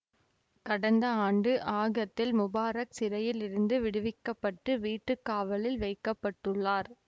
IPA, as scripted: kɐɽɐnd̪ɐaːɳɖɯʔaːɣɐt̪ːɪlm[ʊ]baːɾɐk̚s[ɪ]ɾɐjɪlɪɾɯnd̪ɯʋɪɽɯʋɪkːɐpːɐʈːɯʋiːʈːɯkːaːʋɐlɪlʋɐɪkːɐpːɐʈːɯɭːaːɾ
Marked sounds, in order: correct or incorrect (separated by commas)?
correct, correct